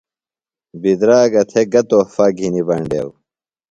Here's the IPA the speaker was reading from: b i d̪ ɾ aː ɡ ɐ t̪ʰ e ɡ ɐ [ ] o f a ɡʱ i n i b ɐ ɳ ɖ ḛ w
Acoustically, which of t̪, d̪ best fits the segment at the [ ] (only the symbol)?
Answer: t̪